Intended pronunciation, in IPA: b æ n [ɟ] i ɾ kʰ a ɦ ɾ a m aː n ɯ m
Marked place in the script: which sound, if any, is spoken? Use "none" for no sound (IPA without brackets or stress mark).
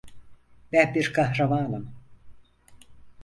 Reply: b